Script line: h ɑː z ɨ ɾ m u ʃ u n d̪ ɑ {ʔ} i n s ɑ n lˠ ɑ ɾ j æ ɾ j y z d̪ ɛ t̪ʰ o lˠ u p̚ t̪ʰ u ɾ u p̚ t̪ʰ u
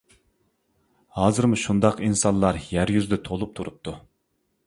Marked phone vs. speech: incorrect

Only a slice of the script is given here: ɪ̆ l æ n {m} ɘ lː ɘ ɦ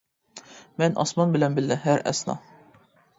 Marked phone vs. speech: incorrect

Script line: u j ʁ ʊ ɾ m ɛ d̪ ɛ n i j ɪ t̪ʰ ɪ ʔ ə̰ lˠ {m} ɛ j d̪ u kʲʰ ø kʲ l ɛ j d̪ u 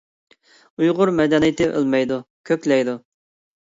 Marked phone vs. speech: correct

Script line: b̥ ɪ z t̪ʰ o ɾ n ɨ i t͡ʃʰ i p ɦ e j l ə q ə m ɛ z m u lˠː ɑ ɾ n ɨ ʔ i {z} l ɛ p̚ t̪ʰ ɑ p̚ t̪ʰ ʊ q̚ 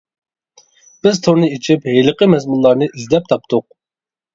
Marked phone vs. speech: correct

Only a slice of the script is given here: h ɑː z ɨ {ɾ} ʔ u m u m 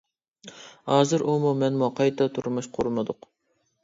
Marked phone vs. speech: correct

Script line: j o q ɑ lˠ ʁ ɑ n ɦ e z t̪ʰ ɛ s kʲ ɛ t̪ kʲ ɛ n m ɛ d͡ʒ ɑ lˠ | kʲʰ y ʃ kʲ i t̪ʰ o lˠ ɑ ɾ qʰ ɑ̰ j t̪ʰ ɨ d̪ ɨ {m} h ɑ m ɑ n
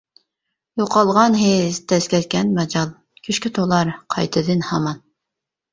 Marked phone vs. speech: incorrect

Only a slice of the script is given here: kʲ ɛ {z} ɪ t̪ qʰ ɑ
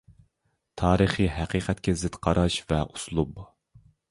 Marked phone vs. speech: correct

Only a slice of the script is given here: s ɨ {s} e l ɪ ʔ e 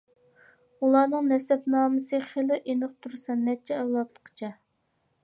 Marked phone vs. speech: incorrect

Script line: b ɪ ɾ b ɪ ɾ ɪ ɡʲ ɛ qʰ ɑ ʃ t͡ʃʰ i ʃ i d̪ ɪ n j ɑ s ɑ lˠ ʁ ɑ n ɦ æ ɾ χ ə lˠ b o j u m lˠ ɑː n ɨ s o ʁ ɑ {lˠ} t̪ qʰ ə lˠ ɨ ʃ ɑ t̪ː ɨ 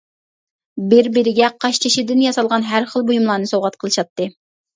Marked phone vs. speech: incorrect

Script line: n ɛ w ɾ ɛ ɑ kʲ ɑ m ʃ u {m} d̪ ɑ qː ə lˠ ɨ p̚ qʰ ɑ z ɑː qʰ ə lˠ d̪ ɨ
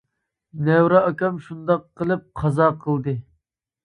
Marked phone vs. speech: incorrect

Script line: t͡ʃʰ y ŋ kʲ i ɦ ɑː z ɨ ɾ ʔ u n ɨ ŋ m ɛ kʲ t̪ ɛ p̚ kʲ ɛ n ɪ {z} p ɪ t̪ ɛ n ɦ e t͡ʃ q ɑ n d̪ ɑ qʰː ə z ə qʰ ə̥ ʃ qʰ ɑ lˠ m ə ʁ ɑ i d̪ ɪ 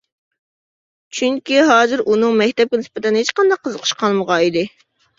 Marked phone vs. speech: incorrect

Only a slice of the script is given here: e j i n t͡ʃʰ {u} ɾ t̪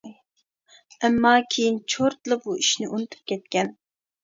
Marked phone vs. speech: incorrect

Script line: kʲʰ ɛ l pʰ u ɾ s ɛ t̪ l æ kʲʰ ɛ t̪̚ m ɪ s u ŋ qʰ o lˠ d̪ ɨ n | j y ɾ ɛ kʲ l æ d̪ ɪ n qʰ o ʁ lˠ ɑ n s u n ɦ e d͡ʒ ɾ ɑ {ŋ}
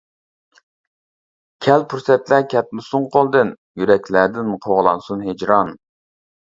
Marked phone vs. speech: incorrect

